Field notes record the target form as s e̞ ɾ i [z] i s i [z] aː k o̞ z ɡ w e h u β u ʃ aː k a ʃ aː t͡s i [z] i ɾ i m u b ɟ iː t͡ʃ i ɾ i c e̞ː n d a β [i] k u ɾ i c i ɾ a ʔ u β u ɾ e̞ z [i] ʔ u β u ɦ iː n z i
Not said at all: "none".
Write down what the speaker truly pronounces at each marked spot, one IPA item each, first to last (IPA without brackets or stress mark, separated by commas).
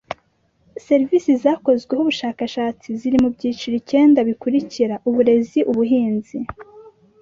v, z, z, i, i